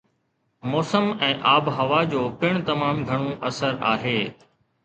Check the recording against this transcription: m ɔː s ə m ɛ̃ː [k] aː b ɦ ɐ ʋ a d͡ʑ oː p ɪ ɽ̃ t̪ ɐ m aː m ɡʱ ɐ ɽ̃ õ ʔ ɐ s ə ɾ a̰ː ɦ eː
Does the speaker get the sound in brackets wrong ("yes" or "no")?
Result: yes